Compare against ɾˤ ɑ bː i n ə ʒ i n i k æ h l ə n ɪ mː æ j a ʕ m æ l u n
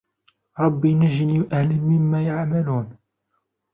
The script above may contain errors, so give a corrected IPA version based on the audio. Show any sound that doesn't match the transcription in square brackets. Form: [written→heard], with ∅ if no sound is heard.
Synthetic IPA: ɾˤ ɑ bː i n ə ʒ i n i [k→ʔ] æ h l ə [n→m] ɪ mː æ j a ʕ m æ l u n